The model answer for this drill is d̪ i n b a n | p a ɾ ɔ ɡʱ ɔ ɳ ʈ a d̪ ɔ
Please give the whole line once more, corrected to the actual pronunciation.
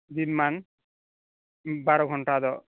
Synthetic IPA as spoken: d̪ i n m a n | b a ɾ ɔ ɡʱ ɔ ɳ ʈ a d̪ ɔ